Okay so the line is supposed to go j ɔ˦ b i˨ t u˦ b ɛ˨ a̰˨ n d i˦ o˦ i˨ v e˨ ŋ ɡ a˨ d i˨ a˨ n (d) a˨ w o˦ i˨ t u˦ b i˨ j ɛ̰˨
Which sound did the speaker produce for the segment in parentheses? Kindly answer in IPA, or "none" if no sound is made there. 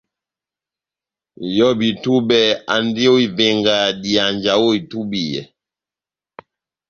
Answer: d͡ʒ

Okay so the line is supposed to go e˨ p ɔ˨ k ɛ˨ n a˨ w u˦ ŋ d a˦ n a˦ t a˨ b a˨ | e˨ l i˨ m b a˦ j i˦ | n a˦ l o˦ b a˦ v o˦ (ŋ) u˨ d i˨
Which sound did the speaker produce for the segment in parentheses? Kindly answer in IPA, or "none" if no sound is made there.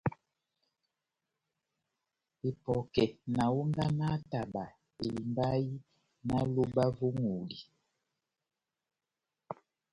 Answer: ŋ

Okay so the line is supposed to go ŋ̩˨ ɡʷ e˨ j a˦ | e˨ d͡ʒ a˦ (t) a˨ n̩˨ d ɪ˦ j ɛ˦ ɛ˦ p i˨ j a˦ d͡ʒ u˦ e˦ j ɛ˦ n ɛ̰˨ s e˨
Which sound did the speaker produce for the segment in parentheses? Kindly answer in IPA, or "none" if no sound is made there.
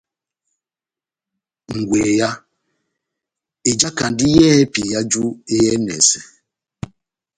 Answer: k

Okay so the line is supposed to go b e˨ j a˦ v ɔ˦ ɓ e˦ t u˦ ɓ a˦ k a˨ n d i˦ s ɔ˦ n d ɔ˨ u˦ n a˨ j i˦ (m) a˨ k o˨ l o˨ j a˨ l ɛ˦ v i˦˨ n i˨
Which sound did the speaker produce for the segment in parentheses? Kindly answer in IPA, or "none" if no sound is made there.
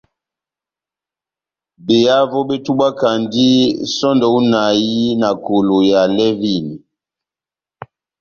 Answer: n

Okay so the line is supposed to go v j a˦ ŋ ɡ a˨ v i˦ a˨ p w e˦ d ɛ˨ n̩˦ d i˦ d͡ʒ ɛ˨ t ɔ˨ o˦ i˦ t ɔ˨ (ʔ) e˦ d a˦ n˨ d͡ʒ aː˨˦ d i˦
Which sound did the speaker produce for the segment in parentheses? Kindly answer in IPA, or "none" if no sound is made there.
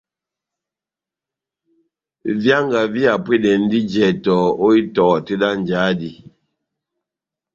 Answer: t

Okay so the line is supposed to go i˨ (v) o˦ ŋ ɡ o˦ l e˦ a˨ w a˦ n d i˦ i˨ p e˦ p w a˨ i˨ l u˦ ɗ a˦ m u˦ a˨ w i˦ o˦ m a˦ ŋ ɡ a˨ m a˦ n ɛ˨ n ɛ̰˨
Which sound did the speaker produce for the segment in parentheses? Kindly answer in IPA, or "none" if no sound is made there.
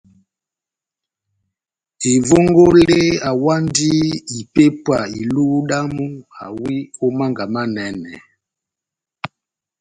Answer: v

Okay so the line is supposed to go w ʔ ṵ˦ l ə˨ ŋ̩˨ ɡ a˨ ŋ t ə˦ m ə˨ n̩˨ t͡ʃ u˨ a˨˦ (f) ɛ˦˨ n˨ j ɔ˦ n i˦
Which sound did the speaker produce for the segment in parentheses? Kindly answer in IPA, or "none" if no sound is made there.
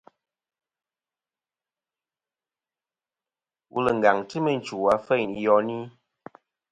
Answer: f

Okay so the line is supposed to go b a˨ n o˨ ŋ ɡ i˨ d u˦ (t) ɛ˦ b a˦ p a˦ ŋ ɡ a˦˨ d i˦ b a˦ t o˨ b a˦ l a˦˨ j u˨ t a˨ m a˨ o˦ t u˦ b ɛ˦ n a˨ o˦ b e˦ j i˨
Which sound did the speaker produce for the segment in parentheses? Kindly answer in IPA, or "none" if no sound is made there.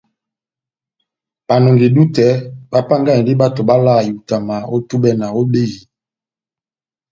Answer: t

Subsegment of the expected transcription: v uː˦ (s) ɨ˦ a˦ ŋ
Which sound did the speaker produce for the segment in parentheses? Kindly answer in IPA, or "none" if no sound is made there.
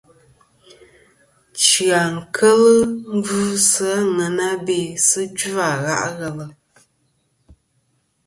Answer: s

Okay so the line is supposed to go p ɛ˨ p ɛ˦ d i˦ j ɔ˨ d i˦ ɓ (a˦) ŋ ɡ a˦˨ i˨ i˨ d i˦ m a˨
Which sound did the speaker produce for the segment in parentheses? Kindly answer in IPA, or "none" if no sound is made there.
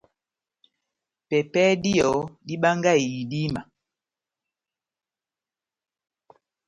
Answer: a˦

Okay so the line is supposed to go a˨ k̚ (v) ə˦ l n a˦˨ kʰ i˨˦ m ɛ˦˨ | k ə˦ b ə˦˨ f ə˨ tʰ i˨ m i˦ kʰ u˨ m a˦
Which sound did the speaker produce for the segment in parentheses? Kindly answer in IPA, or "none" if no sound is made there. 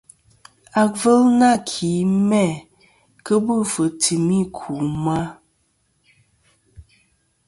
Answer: v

